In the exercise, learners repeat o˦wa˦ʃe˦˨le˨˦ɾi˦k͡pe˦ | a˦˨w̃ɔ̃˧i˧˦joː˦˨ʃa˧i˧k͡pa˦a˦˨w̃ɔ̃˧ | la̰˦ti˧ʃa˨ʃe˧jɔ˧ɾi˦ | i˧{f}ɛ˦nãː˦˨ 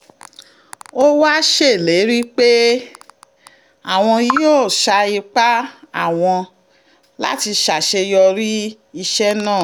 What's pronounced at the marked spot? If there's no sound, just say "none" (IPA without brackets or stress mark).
ʃ